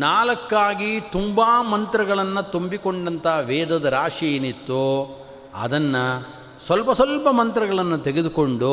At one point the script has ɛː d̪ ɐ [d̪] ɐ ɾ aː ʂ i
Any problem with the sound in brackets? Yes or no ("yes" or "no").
no